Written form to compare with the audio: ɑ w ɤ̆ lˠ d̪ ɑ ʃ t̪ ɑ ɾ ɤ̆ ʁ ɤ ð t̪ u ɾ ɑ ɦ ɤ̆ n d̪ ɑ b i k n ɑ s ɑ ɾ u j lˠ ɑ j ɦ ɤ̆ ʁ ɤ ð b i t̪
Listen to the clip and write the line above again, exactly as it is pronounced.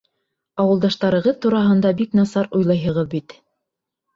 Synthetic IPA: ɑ w ɤ̆ lˠ d̪ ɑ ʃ t̪ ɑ ɾ ɤ̆ ʁ ɤ ð t̪ u ɾ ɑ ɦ ɤ̆ n d̪ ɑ b i k n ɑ s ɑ ɾ u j lˠ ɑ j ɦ ɤ̆ ʁ ɤ ð b i t̪